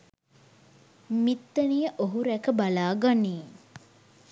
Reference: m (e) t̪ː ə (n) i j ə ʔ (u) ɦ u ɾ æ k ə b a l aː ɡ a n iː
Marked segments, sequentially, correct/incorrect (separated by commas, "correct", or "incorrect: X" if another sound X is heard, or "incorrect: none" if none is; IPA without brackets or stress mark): incorrect: i, correct, incorrect: o